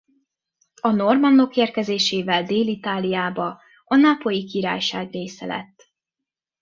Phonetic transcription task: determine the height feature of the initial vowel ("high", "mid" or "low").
low